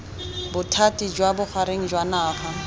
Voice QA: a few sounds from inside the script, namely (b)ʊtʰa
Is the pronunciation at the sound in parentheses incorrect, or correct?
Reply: correct